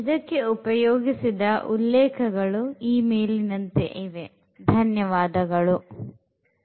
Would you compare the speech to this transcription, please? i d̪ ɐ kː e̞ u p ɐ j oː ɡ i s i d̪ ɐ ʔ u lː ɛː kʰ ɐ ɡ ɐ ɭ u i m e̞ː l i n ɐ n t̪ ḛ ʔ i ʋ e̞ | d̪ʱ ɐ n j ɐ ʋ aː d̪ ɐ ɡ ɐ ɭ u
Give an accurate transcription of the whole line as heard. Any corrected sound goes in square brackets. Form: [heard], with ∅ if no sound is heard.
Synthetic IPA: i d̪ ɐ kː e̞ u p ɐ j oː ɡ i s i d̪ ɐ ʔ u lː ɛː kʰ ɐ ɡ ɐ ɭ u [iː] m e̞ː l i n ɐ n t̪ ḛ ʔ i ʋ e̞ | d̪ʱ ɐ n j ɐ ʋ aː d̪ ɐ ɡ ɐ ɭ u